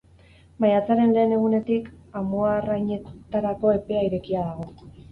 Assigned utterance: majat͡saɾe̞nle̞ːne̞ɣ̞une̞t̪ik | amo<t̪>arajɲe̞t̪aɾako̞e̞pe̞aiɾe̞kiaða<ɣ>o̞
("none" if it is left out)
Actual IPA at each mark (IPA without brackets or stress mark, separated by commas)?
none, ɣ